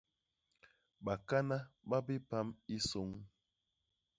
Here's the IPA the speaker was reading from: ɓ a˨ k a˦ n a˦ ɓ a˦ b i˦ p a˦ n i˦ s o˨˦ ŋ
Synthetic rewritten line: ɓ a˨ k a˦ n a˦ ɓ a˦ b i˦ p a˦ m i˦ s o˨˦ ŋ